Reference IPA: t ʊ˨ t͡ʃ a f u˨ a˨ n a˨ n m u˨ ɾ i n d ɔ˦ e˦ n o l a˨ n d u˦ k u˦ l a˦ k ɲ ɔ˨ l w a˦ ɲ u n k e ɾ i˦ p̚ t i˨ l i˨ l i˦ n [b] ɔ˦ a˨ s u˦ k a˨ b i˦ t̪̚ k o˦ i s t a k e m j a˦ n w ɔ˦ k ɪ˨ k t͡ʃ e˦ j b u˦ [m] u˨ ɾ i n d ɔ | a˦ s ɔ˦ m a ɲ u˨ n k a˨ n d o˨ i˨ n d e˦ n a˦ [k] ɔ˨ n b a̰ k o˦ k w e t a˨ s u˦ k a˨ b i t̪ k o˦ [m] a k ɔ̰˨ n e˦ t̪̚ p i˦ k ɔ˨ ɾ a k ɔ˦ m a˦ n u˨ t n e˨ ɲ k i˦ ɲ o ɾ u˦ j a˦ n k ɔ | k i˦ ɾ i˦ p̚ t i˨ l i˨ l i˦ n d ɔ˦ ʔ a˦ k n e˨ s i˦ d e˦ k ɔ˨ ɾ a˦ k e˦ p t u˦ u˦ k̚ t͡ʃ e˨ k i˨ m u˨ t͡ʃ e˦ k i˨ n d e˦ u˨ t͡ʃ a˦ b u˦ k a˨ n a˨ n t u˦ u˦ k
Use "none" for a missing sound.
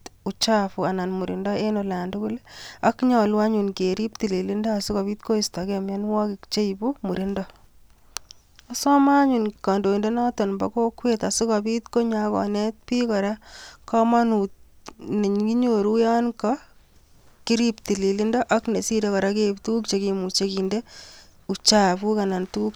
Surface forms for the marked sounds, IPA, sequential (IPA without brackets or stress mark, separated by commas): d, m, t, ɲ